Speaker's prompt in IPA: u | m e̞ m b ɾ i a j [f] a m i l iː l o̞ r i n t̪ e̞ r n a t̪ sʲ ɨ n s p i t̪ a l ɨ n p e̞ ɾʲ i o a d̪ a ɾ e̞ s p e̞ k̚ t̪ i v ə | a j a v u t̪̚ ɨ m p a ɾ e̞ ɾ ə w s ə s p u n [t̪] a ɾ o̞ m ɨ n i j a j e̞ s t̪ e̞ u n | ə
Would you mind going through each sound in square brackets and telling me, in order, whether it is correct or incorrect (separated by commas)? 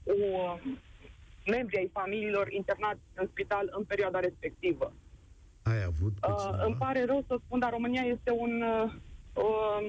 correct, incorrect